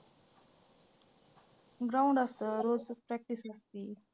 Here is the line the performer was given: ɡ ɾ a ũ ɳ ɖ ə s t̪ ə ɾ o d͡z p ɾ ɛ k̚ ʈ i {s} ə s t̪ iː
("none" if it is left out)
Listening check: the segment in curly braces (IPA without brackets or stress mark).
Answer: s